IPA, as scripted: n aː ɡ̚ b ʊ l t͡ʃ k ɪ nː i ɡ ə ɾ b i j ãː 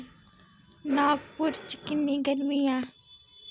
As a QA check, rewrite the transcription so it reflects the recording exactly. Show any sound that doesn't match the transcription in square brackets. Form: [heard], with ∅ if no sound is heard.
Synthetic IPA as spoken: n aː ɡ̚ [p] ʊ [ɾ] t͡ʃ k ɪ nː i ɡ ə ɾ [m] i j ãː